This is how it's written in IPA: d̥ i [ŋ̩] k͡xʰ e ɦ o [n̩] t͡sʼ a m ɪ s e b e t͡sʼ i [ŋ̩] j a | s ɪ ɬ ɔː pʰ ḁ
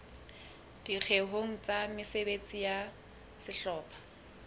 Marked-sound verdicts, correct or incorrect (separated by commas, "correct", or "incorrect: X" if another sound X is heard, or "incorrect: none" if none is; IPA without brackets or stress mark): incorrect: none, incorrect: ŋ̩, incorrect: none